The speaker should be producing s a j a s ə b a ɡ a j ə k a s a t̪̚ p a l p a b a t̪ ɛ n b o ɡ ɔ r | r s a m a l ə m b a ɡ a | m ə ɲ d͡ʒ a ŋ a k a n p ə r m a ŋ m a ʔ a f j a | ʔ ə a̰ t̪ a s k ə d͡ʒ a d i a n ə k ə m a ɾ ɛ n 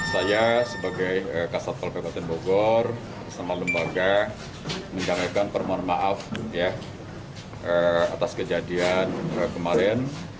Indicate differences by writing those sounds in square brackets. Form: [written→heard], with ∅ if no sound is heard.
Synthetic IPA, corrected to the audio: s a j a s ə b a ɡ a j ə k a s a t̪̚ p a l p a b a t̪ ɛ n b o ɡ ɔ r | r s a m a l ə m b a ɡ a | m ə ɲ d͡ʒ a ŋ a k a n p ə r m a [ŋ→n] m a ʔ a f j a | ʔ ə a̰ t̪ a s k ə d͡ʒ a d i a n ə k ə m a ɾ ɛ n